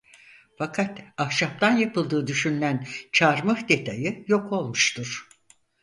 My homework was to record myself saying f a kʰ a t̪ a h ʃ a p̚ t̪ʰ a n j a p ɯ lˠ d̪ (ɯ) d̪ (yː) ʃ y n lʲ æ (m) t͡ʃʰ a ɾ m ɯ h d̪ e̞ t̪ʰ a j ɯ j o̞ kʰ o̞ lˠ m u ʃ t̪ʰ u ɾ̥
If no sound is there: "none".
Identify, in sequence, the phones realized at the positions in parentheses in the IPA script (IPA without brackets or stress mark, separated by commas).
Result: ɯː, y, n